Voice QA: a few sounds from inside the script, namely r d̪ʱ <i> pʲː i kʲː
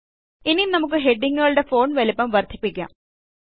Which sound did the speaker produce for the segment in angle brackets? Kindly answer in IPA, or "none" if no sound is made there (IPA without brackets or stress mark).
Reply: i